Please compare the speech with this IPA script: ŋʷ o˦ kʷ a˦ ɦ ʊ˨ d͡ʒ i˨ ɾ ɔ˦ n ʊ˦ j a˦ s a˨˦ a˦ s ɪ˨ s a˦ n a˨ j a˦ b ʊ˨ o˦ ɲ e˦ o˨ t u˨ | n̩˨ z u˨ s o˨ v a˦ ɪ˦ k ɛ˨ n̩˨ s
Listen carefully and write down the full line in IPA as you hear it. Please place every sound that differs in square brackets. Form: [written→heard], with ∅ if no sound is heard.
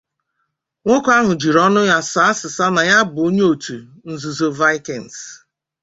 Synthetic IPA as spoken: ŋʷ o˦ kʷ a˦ ɦ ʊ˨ d͡ʒ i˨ ɾ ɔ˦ n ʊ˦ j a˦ s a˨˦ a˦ s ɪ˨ s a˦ n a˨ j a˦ b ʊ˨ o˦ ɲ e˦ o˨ t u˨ | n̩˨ z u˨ [s→z] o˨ v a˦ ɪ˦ k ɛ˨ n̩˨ s